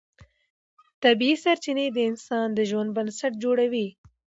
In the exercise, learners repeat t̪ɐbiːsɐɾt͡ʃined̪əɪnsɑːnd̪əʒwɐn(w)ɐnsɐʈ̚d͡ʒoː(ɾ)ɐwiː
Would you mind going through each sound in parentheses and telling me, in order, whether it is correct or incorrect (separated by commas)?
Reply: incorrect, incorrect